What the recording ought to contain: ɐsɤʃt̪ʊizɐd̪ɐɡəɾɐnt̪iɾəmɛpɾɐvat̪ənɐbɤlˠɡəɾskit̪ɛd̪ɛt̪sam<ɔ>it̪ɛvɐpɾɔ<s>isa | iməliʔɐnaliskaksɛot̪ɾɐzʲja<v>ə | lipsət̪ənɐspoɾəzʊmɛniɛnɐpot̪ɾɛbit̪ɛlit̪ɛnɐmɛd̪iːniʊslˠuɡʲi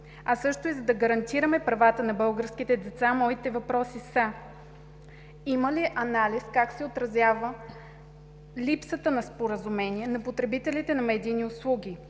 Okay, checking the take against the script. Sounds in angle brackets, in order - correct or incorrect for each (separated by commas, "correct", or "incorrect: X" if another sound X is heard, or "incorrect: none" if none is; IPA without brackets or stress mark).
correct, correct, correct